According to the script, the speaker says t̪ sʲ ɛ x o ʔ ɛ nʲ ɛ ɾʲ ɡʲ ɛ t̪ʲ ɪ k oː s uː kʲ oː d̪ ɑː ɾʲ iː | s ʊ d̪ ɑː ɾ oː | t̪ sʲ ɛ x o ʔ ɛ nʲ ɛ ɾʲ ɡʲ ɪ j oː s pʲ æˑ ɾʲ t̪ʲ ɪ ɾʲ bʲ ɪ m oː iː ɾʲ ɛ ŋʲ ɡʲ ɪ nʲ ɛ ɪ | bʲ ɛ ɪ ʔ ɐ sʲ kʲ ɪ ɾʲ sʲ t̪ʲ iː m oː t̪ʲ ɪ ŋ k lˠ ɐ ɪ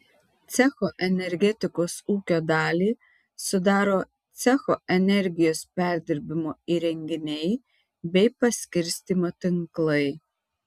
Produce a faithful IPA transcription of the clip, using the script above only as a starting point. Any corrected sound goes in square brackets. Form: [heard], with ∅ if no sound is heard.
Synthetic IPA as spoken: t̪ sʲ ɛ x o ʔ ɛ nʲ ɛ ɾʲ ɡʲ ɛ t̪ʲ ɪ k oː s uː kʲ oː d̪ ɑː [lʲ] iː | s ʊ d̪ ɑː ɾ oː | t̪ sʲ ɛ x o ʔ ɛ nʲ ɛ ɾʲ ɡʲ ɪ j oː s pʲ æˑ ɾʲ [d̪ʲ] ɪ ɾʲ bʲ ɪ m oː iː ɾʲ ɛ ŋʲ ɡʲ ɪ nʲ ɛ ɪ | bʲ ɛ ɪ [p] ɐ sʲ kʲ ɪ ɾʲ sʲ t̪ʲ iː m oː t̪ʲ ɪ ŋ k lˠ ɐ ɪ